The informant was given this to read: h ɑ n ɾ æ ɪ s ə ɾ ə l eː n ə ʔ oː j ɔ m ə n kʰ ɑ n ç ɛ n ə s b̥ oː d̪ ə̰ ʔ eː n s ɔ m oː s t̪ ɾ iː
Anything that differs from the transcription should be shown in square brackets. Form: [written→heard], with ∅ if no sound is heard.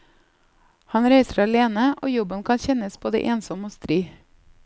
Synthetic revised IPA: h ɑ n ɾ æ ɪ s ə ɾ [ə→ɑ] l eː n ə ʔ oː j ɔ [m→b] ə n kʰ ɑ n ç ɛ n ə s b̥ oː d̪ ə̰ ʔ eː n s ɔ m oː s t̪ ɾ iː